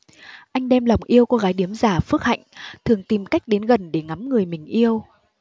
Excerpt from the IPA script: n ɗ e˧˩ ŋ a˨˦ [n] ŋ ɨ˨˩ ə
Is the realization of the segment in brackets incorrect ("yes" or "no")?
yes